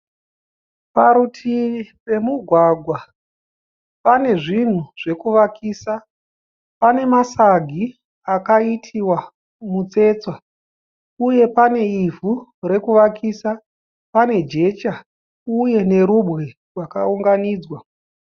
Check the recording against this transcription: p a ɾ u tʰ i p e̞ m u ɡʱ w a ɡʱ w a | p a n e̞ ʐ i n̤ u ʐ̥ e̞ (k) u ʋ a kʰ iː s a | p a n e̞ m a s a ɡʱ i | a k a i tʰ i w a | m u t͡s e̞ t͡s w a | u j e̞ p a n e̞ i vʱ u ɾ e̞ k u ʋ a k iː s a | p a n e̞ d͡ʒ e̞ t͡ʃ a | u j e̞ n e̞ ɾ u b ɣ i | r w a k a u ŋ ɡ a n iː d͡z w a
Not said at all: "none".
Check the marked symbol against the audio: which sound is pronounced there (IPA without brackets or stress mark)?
k